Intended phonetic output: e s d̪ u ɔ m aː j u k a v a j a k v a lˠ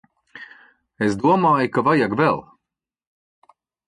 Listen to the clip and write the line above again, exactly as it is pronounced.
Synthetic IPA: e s d̪ u ɔ m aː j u k a v a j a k v ɛ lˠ

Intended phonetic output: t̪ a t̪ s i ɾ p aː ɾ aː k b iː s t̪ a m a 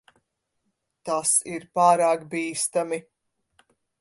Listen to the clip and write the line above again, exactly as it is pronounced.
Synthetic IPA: t̪ a s i ɾ p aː ɾ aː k b iː s t̪ a m i

